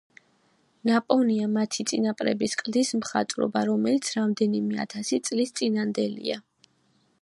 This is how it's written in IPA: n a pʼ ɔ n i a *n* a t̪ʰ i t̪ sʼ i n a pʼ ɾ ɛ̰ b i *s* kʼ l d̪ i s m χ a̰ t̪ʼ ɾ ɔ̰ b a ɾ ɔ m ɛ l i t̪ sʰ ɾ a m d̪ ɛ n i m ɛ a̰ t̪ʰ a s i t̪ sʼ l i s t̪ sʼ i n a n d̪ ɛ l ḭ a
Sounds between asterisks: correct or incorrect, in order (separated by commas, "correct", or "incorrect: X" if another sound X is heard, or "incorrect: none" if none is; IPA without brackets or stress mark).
incorrect: m, correct